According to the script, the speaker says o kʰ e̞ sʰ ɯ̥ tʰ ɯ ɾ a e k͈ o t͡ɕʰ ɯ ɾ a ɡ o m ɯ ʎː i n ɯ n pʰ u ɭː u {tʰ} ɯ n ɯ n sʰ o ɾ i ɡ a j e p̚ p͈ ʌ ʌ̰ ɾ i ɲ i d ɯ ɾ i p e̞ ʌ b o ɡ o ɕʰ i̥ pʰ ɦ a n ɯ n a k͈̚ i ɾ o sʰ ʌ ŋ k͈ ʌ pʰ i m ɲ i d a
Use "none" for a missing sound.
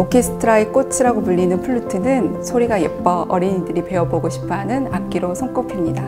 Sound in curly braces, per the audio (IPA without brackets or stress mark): tʰ